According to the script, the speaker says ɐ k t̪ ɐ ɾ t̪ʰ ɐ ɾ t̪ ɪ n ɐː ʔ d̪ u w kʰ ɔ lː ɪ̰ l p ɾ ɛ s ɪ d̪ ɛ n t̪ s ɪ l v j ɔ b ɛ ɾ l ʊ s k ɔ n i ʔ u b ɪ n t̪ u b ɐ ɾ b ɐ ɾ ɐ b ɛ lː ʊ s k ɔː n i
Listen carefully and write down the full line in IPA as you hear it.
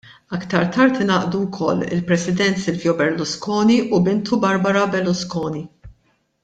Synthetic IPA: ɐ k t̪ ɐ ɾ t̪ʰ ɐ ɾ t̪ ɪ n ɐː ʔ d̪ u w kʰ ɔ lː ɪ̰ l p ɾ ɛ s ɪ d̪ ɛ n t̪ s ɪ l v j ɔ b ɛ ɾ l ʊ s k ɔː n i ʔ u b ɪ n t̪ u b ɐ ɾ b ɐ ɾ ɐ b ɛ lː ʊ s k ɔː n i